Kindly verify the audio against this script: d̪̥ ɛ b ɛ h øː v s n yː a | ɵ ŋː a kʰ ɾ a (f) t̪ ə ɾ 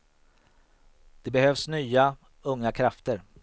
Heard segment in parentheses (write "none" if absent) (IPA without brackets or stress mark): f